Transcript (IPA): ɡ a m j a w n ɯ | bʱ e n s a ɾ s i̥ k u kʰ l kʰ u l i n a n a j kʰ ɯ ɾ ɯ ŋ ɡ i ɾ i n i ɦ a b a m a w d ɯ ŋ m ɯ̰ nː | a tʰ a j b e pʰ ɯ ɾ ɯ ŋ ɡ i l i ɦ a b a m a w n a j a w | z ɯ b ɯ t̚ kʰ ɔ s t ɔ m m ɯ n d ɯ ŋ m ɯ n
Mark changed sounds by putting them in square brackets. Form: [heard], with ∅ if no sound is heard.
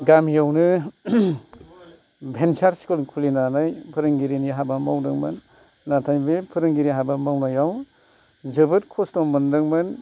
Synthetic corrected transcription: ɡ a m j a w n ɯ | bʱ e n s a ɾ s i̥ k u [∅] l kʰ u l i n a n a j [pʰ] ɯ ɾ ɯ ŋ ɡ i ɾ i n i ɦ a b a m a w d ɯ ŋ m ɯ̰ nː | a tʰ a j b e pʰ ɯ ɾ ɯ ŋ ɡ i [ɾ] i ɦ a b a m a w n a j a w | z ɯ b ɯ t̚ kʰ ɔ s t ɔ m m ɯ n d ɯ ŋ m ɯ n